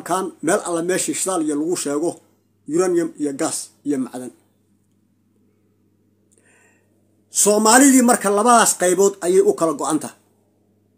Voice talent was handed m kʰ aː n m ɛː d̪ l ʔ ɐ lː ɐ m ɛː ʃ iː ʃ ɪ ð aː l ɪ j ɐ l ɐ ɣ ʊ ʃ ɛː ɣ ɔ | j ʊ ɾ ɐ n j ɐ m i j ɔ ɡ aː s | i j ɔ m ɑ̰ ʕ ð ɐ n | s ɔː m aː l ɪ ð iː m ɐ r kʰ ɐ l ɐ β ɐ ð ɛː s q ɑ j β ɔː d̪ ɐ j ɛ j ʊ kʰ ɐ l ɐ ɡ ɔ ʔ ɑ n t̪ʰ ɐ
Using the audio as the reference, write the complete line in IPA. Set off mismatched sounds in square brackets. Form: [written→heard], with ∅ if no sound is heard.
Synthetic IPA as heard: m kʰ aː n m ɛː [d̪→∅] l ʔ ɐ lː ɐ m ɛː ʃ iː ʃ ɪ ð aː l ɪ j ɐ l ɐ ɣ ʊ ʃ ɛː ɣ ɔ | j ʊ ɾ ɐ n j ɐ m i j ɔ ɡ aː s | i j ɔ m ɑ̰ ʕ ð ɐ n | s ɔː m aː l ɪ ð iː m ɐ r kʰ ɐ l ɐ β ɐ ð [ɛː→aː] s q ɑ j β ɔː d̪ ɐ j ɛ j ʊ kʰ ɐ l ɐ ɡ ɔ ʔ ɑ n t̪ʰ ɐ